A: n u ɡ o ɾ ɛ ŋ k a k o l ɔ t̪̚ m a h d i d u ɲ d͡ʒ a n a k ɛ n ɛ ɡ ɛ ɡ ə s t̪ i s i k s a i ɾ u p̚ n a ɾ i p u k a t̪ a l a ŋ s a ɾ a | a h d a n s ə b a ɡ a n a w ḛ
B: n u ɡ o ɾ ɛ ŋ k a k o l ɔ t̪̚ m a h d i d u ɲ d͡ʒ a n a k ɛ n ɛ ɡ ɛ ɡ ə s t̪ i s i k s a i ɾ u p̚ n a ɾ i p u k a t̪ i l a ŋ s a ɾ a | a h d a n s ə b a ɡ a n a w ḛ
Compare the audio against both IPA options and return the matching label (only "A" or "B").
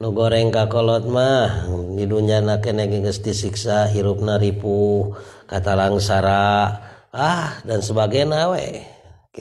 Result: A